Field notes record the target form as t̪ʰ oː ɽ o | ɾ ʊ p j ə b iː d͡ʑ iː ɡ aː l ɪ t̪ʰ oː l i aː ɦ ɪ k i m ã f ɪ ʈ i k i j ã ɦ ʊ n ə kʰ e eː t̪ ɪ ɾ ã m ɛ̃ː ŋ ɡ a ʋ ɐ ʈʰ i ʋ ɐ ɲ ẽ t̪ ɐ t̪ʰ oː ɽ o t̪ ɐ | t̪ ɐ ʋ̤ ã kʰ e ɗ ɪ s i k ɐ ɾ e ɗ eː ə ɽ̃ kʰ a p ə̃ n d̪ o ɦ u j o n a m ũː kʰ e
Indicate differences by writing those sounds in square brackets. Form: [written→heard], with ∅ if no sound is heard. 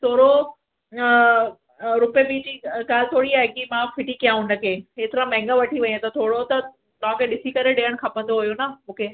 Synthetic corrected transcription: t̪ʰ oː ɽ o | ɾ ʊ p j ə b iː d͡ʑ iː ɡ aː l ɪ t̪ʰ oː [l→ɽ] i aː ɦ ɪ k i m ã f ɪ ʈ i k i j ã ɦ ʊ n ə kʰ e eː t̪ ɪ ɾ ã m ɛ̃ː ŋ ɡ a ʋ ɐ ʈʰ i ʋ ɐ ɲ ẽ t̪ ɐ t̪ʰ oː ɽ o t̪ ɐ | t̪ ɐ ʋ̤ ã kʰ e ɗ ɪ s i k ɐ ɾ e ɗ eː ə ɽ̃ kʰ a p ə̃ n d̪ o ɦ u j o n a m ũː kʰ e